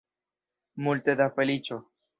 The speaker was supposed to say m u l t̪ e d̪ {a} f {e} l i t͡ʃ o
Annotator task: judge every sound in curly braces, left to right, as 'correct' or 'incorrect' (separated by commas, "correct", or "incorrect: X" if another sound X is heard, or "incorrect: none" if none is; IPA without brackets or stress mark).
correct, correct